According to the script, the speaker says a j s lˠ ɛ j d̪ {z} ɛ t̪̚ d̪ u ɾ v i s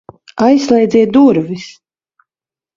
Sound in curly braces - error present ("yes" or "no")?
no